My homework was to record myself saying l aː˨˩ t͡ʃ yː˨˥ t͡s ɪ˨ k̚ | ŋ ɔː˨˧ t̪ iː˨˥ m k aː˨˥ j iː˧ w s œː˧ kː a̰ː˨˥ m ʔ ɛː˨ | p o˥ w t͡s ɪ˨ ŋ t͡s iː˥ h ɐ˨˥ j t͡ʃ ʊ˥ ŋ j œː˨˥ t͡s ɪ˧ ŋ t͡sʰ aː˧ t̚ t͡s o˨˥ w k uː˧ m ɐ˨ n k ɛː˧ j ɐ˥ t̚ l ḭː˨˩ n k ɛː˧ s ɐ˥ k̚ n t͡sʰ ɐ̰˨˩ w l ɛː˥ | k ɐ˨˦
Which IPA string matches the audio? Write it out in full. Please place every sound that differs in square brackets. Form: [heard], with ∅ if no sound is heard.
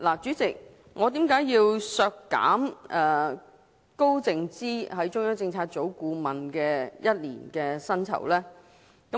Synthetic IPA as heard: l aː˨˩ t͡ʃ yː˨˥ t͡s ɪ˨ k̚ | ŋ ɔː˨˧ t̪ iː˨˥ m k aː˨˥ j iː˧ w s œː˧ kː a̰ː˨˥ m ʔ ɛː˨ | [k] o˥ w t͡s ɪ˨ ŋ t͡s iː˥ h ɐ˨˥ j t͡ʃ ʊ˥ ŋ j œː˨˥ t͡s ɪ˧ ŋ t͡sʰ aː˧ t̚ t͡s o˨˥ w k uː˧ m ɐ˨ n k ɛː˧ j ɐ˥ t̚ l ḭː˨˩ n k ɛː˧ s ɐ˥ [∅] n t͡sʰ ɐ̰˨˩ w l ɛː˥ | k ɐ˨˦